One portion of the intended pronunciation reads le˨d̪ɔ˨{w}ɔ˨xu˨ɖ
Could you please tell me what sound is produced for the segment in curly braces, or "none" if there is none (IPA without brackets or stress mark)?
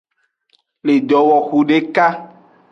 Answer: w